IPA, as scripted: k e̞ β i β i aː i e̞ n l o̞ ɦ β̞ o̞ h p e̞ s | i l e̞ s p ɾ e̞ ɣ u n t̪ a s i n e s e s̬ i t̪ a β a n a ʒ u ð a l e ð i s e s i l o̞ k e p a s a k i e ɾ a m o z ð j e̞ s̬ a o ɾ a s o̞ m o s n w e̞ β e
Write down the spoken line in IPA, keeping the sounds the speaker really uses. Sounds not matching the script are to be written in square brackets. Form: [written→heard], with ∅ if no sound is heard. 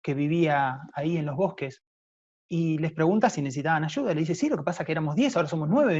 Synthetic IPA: k e̞ β i β i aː i e̞ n l o̞ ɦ β̞ o̞ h [p→k] e̞ s | i l e̞ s p ɾ e̞ ɣ u n t̪ a s i n e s e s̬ i t̪ a β a n a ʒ u ð a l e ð i s e s i l o̞ k e p a s a k [i→e] e ɾ a m o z ð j e̞ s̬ a o ɾ a s o̞ m o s n w e̞ β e